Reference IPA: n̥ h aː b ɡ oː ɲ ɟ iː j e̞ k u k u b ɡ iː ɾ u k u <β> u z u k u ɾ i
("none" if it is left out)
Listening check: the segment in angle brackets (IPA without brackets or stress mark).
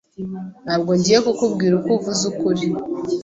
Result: v